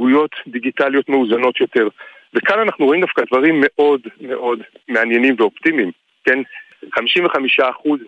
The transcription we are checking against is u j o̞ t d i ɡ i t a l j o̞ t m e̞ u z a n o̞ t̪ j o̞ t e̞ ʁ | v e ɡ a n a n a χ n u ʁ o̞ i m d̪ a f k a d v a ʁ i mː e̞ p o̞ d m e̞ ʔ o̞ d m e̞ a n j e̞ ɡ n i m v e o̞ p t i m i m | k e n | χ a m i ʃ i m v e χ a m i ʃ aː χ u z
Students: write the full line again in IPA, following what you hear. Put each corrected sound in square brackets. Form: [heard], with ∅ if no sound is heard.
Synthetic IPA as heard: u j o̞ t d i ɡ i t a l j o̞ t m e̞ u z a n o̞ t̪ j o̞ t e̞ ʁ | v e [k] a n a n a χ n u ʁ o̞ i m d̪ a f k a d v a ʁ i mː e̞ [ʔ] o̞ d m e̞ ʔ o̞ d m e̞ a n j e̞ [∅] n i m v e o̞ p t i m i m | k e n | χ a m i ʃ i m v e χ a m i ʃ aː χ u z